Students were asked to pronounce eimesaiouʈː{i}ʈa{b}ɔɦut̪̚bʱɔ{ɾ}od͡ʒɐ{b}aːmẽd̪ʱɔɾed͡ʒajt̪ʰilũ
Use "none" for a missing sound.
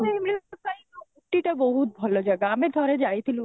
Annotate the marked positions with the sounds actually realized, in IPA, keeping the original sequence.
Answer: i, b, l, ɡ

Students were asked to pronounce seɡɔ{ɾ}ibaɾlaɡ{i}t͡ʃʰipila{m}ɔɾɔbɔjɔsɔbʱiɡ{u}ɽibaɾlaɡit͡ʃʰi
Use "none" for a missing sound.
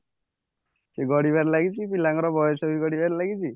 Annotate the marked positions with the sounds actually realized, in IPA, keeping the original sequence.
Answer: ɽ, i, ŋ, ɔ

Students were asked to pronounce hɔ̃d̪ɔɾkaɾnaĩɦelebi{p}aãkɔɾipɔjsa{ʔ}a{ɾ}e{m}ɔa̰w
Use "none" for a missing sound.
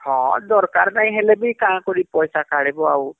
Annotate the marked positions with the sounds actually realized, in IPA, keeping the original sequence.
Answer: k, k, ɽ, b

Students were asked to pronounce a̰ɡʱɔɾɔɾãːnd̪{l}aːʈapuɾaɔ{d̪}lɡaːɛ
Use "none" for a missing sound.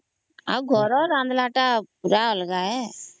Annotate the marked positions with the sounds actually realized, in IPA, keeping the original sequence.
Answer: l, none

